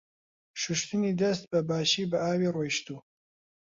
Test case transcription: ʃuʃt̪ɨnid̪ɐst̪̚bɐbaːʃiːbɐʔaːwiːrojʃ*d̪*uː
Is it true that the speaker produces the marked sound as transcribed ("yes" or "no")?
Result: no